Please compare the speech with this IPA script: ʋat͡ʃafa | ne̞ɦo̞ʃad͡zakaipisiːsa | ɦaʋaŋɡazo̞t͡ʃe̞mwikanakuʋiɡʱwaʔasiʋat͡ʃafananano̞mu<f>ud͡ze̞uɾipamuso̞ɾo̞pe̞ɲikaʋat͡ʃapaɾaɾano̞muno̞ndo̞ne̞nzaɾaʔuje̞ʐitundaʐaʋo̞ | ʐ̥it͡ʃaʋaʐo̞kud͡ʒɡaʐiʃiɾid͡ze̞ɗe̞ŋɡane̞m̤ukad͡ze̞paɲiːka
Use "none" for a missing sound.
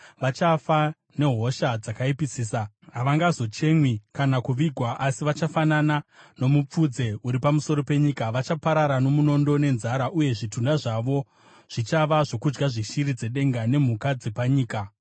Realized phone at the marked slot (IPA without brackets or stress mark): p͡f